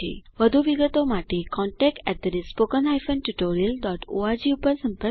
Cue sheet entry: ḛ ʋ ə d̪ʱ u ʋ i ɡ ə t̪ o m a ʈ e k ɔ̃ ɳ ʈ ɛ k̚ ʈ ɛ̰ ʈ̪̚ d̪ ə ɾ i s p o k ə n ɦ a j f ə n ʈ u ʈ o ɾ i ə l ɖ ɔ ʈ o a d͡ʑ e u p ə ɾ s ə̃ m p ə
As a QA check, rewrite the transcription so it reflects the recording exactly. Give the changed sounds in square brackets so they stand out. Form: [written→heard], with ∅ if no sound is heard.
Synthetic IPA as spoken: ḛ ʋ ə d̪ʱ u ʋ i ɡ ə t̪ o m a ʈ e k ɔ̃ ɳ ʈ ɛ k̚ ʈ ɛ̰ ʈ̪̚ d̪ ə ɾ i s p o k ə n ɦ a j f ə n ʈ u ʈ o ɾ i ə l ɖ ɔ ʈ o a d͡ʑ [e→i] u p ə ɾ s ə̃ m p ə